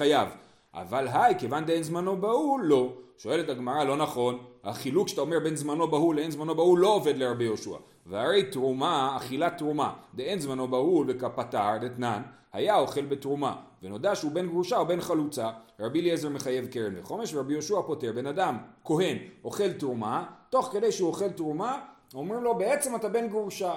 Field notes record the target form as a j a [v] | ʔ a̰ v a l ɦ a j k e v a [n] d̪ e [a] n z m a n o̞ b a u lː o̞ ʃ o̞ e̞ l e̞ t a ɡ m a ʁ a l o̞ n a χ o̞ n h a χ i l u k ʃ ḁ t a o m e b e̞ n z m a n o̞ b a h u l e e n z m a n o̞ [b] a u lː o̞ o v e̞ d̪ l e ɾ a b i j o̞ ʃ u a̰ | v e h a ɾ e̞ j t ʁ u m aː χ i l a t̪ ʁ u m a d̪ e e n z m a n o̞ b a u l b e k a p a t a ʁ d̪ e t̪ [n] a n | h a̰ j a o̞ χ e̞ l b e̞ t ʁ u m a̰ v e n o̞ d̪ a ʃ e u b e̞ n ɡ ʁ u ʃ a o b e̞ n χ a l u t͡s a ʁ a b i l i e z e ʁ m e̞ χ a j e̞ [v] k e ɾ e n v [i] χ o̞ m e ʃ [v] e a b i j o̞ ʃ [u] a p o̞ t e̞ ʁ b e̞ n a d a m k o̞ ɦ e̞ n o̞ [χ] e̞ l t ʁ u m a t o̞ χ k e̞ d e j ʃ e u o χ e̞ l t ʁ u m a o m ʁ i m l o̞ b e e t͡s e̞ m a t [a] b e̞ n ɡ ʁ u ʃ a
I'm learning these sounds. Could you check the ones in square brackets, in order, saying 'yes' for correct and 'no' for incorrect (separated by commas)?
yes, yes, no, yes, yes, yes, no, yes, yes, yes, yes